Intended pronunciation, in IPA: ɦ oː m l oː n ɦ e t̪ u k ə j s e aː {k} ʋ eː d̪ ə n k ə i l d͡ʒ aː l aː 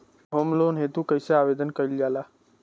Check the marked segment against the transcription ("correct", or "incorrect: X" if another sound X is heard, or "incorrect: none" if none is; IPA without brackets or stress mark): incorrect: none